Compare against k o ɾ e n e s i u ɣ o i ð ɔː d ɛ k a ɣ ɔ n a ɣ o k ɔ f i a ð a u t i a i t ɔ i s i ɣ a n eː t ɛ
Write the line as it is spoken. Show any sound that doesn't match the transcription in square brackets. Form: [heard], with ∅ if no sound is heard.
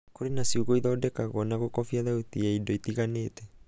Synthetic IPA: k o ɾ e n [a] s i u ɣ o i ð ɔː d ɛ k a ɣ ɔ n a ɣ o k ɔ f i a ð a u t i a i [d] ɔ i [t] i ɣ a n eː t ɛ